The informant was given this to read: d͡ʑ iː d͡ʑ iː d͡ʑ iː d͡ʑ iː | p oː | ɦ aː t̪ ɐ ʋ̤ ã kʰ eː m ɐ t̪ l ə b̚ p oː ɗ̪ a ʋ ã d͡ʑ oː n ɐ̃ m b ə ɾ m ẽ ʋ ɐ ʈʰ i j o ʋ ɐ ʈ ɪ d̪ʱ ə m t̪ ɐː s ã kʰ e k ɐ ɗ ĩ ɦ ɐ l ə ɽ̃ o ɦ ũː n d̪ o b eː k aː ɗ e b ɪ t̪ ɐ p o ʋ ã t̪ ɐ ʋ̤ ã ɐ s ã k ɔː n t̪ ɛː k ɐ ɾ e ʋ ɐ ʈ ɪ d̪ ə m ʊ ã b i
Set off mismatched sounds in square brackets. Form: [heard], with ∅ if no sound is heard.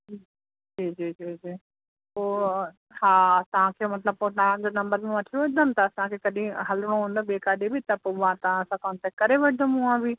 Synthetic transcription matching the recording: d͡ʑ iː d͡ʑ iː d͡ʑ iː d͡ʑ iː | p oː | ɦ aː t̪ ɐ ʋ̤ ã kʰ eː m ɐ t̪ l ə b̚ p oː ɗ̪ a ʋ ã d͡ʑ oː n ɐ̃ m b ə ɾ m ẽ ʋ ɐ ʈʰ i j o ʋ ɐ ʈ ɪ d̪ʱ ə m t̪ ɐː s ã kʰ e k ɐ ɗ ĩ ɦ ɐ l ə ɽ̃ o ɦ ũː n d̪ o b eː k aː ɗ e b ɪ t̪ ɐ p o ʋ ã t̪ ɐ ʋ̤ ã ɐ s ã k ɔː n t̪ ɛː k ɐ ɾ e ʋ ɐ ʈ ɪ d̪ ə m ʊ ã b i